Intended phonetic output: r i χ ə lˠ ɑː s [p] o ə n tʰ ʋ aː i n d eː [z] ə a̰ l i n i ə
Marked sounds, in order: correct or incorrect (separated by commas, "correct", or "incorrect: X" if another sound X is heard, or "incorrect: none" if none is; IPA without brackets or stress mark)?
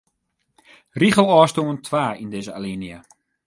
incorrect: t, correct